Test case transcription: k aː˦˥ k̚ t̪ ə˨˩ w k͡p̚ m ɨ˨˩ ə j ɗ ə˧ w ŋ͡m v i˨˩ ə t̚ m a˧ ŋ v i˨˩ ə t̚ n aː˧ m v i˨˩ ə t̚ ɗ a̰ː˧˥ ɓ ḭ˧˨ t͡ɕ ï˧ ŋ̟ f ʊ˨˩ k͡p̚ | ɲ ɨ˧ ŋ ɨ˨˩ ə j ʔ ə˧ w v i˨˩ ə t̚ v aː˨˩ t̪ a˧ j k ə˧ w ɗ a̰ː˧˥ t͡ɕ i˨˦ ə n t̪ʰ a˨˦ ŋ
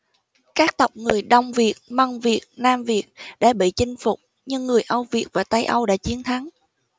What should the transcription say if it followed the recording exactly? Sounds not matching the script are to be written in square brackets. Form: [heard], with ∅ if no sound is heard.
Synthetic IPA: k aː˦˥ k̚ t̪ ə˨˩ w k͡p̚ [ŋ] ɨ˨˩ ə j ɗ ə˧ w ŋ͡m v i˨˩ ə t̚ m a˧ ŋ v i˨˩ ə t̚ n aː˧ m v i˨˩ ə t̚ ɗ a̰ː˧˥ ɓ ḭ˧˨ t͡ɕ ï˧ ŋ̟ f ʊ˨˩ k͡p̚ | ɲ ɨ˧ [ŋː] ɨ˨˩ ə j ʔ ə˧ w v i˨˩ ə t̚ v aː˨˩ t̪ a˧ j [ʔ] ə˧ w ɗ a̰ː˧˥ t͡ɕ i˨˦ ə n t̪ʰ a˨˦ ŋ